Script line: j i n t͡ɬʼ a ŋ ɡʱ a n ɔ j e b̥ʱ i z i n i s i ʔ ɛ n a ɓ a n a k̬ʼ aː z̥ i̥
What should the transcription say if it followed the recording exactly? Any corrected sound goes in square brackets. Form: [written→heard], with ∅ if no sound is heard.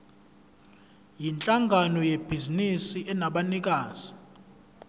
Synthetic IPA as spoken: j i n t͡ɬʼ a ŋ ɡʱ a n ɔ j e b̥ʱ i z i n i s i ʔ ɛ n a ɓ a n [a→i] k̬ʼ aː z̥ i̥